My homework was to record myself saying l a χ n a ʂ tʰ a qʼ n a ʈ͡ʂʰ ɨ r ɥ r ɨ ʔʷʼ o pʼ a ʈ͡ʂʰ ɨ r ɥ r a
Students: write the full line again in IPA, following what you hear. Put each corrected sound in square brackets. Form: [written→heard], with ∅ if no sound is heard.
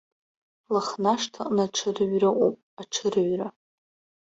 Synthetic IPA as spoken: l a χ n a ʂ tʰ a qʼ n a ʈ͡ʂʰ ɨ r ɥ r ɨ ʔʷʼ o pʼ a ʈ͡ʂʰ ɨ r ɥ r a